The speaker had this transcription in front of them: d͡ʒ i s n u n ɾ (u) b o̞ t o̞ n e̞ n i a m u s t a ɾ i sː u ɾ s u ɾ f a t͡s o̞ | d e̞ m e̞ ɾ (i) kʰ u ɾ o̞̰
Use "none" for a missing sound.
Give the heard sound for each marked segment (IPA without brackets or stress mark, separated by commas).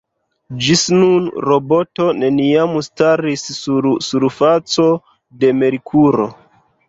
o, i